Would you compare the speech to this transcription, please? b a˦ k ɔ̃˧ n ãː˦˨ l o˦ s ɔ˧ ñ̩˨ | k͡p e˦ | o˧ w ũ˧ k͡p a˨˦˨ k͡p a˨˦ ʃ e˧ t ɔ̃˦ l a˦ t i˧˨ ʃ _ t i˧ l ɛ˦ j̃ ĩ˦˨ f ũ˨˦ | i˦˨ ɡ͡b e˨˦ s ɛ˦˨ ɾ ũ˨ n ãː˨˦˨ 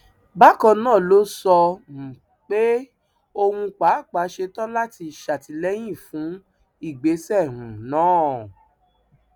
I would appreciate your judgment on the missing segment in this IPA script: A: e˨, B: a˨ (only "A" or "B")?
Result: B